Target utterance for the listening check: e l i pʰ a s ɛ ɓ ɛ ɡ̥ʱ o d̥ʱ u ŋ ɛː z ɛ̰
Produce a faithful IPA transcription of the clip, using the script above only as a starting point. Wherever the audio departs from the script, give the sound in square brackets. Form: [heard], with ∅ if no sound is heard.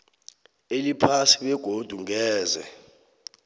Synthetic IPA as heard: e l i pʰ a s [i] ɓ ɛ ɡ̥ʱ o d̥ʱ u ŋ ɛː z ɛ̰